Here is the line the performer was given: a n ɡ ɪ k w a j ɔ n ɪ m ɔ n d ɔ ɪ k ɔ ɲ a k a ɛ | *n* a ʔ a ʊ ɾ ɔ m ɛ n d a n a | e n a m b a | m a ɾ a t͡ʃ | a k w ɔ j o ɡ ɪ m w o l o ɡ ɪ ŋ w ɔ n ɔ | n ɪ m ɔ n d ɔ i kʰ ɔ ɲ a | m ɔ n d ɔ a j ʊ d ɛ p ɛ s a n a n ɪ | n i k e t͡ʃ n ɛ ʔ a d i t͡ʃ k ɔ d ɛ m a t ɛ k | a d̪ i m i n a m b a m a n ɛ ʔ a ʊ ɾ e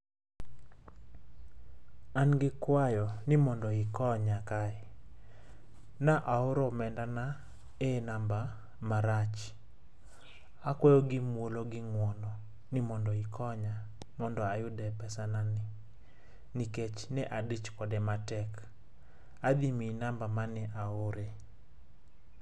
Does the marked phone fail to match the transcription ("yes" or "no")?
no